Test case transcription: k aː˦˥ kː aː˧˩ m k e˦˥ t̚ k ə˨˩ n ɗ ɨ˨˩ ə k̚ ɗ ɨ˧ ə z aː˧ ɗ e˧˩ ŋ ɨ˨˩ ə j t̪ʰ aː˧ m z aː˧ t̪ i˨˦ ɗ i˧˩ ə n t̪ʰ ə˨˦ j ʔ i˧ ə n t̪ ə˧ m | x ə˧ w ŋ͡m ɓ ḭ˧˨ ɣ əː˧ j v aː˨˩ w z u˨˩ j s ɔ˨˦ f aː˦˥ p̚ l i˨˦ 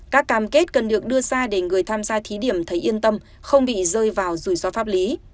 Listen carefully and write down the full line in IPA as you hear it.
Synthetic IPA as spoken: k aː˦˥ kː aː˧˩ m k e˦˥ t̚ k ə˨˩ n ɗ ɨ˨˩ ə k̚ ɗ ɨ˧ ə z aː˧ ɗ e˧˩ ŋ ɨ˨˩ ə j t̪ʰ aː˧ m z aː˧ t̪ʰ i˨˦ ɗ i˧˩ ə m t̪ʰ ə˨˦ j ʔ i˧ ə n t̪ ə˧ m | x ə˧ w ŋ͡m ɓ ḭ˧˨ z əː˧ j v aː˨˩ w z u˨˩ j s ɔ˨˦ f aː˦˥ p̚ l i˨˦

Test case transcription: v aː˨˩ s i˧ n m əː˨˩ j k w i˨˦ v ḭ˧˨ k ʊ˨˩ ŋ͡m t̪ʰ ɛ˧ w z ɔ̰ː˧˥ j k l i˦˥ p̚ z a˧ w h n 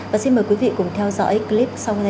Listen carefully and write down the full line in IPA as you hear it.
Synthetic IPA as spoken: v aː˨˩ s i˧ n m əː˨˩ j k w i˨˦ v ḭ˧˨ k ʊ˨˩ ŋ͡m t̪ʰ ɛ˧ w z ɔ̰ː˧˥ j k l i˦˥ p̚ s a˧ w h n

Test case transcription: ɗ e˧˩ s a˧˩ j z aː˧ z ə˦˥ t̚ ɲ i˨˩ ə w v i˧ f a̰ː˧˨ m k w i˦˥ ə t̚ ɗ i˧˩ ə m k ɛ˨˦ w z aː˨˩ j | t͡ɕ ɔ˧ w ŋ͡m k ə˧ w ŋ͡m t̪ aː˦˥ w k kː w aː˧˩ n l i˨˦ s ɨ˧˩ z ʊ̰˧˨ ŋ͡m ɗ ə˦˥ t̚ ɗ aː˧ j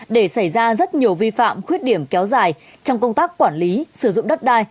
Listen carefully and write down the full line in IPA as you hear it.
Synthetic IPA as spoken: ɗ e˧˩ s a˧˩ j z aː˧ z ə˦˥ t̚ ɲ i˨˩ ə w v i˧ f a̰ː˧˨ m x w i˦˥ ə t̚ ɗ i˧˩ ə m k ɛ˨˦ w z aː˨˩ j | t͡ɕ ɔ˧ w ŋ͡m k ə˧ w ŋ͡m t̪ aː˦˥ k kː w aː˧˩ n l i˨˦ s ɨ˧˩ z ʊ̰˧˨ ŋ͡m ɗ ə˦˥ t̚ ɗ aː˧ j

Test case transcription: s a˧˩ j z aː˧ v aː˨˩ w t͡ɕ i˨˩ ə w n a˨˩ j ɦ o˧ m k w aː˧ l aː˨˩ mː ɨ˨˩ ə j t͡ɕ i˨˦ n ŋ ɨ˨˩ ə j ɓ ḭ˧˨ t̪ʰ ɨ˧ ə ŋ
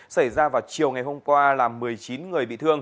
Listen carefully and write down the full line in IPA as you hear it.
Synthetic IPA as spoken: s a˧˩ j z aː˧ v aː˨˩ w t͡ɕ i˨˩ ə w ŋ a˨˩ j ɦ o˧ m k w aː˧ l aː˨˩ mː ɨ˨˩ ə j t͡ɕ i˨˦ n ŋ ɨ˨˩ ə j ɓ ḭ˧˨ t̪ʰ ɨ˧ ə ŋ

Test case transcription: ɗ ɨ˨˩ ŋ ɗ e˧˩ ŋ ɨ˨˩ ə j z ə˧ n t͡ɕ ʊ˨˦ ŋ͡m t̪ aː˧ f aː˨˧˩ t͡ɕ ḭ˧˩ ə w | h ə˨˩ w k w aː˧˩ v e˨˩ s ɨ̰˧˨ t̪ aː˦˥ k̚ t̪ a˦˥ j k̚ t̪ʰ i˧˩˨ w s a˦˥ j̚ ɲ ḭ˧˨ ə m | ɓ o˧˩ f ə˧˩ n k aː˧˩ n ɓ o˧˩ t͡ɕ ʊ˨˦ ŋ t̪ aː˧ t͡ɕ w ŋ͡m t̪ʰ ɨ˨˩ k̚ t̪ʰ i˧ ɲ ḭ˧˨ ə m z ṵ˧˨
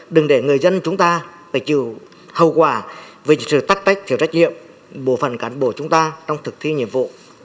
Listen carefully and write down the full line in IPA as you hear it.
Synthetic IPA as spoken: ɗ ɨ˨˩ ŋ ɗ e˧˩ ŋ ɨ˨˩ ə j z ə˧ n t͡ɕ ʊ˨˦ ŋ͡m t̪ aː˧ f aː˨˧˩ t͡ɕ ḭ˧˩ ə w | h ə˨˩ w k w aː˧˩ v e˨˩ s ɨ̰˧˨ t̪ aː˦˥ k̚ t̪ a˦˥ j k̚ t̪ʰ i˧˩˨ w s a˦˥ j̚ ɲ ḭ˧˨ ə m | ɓ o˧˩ f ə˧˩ n k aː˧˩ n ɓ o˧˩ t͡ɕ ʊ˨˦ ŋ͡m t̪ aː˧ t͡ɕ w ŋ͡m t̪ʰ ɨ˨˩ k̚ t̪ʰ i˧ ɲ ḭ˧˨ ə m v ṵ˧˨

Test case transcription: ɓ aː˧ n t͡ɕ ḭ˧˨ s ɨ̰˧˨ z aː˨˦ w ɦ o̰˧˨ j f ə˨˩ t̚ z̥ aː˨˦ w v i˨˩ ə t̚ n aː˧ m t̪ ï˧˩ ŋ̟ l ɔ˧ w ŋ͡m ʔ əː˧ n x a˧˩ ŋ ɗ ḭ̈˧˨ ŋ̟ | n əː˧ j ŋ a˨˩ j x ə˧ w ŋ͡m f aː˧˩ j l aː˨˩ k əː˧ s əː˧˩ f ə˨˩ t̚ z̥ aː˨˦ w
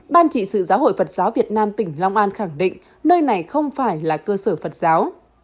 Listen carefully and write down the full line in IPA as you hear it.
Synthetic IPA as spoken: ɓ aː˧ n t͡ɕ ḭ˧˨ s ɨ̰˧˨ z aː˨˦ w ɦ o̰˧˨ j f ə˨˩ t̚ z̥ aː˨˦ w v i˨˩ ə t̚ n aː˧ m t̪ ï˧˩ ŋ̟ l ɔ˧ w ŋ͡m ʔ aː˧ n x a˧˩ ŋ ɗ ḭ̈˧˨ ŋ̟ | n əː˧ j n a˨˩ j x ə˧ w ŋ͡m f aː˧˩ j l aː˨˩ k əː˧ s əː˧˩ f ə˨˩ t̚ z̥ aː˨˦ w

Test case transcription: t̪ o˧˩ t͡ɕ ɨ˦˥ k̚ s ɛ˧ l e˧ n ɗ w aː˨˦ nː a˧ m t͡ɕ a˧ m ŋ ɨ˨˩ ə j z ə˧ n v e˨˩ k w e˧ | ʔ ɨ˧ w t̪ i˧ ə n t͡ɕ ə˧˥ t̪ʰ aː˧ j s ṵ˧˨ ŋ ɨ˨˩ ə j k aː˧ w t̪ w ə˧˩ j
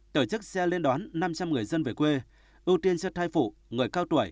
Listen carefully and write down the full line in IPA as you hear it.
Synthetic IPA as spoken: t̪ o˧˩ t͡ɕ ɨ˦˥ k̚ s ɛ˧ l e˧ n ɗ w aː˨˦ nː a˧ m t͡ɕ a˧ m ŋ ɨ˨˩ ə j z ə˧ n v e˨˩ k w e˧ | ʔ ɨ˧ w t̪ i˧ ə n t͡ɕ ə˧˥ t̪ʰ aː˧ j f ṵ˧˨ ŋ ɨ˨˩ ə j k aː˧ w t̪ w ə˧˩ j

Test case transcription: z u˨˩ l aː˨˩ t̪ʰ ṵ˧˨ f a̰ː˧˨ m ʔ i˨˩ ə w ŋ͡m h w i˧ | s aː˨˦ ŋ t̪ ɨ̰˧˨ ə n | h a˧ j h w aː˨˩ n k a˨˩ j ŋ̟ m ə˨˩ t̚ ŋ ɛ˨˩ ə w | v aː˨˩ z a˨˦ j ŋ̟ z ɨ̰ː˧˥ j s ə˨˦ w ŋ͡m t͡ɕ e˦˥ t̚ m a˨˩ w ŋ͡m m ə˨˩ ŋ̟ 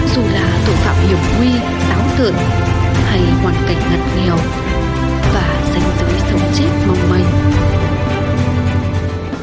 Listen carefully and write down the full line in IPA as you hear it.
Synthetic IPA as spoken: z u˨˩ l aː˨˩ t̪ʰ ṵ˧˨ f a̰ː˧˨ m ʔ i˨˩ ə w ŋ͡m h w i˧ | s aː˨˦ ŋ t̪ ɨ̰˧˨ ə n | h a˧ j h w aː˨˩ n k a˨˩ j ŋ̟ ŋ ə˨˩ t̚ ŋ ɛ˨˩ ə w | v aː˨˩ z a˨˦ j ŋ̟ z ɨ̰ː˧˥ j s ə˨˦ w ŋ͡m t͡ɕ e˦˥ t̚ m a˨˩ w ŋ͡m m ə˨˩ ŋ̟

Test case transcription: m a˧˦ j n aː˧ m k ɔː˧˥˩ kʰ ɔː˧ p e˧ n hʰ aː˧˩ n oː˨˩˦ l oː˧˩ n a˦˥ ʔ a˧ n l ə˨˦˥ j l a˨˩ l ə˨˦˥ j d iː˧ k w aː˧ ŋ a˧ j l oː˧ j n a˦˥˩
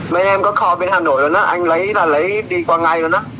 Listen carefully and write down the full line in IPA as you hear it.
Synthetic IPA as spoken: m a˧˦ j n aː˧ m k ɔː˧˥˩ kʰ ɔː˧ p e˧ n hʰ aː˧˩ n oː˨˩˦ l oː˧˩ n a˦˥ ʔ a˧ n l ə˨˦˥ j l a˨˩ l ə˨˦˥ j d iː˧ k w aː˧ ŋ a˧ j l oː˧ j n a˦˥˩

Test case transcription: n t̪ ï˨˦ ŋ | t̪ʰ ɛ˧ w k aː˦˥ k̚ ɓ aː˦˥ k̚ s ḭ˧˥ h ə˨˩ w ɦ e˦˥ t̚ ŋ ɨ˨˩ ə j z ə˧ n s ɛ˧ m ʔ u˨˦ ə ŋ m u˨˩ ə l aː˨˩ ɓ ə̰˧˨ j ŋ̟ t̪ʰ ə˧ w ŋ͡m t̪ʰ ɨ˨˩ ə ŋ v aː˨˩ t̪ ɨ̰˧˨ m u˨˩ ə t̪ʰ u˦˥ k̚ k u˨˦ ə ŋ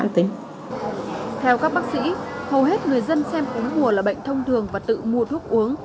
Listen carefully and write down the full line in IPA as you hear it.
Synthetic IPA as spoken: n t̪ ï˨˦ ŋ | t̪ʰ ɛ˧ w k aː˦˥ k̚ ɓ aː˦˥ k̚ s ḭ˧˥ h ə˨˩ w ɦ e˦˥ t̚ ŋ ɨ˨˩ ə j z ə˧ n s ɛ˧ m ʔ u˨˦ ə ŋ m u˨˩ ə l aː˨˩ ɓ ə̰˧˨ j ŋ̟ t̪ʰ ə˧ w ŋ͡m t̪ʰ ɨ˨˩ ə ŋ v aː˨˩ t̪ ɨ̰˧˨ m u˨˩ ə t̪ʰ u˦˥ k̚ ʔ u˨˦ ə ŋ

